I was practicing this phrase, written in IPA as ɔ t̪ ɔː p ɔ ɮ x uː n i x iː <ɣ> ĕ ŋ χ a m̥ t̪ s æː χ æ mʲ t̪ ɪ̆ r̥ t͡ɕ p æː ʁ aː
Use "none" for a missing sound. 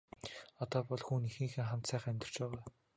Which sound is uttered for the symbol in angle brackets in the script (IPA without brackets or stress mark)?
x